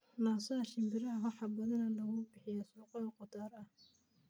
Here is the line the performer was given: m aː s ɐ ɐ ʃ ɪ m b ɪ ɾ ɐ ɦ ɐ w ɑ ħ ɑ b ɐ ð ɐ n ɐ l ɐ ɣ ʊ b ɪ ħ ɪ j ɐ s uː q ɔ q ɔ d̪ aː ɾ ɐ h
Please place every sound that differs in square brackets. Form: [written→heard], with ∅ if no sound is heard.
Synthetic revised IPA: [m→n] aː s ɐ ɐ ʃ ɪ m b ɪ ɾ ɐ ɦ ɐ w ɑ ħ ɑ b ɐ ð ɐ n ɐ l ɐ ɣ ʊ b ɪ ħ ɪ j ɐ s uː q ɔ q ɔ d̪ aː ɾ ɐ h